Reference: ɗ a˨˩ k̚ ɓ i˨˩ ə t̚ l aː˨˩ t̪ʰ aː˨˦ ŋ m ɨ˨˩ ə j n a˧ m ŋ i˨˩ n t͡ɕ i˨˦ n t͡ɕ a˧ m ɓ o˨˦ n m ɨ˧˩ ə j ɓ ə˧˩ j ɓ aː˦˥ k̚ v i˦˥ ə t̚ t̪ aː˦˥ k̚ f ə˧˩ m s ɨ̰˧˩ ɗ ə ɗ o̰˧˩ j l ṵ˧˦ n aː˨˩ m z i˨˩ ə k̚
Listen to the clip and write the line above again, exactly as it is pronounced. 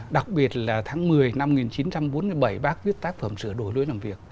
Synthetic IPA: ɗ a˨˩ k̚ ɓ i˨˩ ə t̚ l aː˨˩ t̪ʰ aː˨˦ ŋ m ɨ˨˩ ə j n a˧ m ŋ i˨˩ n t͡ɕ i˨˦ n t͡ɕ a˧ m ɓ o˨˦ n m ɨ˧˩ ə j ɓ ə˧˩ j ɓ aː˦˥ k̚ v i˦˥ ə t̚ t̪ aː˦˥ k̚ f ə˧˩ m s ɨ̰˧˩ ə ɗ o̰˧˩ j l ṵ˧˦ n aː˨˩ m v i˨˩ ə k̚